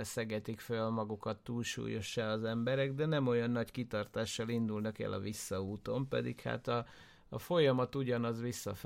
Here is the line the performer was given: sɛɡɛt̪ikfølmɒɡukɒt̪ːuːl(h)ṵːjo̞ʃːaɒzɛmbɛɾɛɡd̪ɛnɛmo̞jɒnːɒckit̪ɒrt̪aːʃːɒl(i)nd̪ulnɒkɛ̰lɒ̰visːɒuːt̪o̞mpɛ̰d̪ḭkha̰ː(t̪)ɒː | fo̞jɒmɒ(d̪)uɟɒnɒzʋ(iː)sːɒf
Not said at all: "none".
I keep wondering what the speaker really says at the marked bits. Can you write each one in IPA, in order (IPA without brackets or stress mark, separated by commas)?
ʃ, i, t̪, t̪, i